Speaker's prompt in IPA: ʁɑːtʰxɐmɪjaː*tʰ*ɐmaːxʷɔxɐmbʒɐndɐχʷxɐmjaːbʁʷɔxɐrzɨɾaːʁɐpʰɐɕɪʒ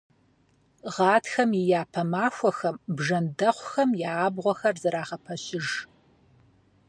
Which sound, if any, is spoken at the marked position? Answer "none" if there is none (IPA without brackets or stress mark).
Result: pʰ